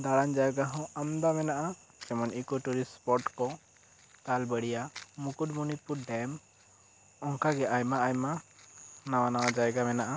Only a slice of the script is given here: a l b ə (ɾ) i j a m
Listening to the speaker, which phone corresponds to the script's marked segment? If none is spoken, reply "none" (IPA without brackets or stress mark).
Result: ɽ